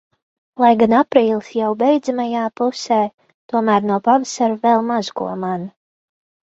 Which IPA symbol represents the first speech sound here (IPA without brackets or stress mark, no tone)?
lˠ